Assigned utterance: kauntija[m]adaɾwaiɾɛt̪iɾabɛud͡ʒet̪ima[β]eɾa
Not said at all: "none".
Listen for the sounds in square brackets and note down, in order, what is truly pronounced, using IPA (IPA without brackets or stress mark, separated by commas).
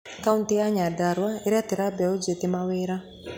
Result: ɲ, w